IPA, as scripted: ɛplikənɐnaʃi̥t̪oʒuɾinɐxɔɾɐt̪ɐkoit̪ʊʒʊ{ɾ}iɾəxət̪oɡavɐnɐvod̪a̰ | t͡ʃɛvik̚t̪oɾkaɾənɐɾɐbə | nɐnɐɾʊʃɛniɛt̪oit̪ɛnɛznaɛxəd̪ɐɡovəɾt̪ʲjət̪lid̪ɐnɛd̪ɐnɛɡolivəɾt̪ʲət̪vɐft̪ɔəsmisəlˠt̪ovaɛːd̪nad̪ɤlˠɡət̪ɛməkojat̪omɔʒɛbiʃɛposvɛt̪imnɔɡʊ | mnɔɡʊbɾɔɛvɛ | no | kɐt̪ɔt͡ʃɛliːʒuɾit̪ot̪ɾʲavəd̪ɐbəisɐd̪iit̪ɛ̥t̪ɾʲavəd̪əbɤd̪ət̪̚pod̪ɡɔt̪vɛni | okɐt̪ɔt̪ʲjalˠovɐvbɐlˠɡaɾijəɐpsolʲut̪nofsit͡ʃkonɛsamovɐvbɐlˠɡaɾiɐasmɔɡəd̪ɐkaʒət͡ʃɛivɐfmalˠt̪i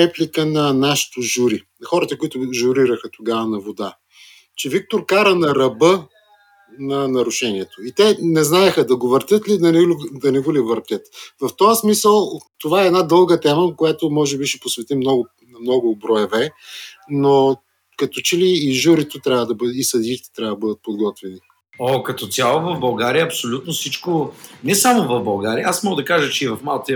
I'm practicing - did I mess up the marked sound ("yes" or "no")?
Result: no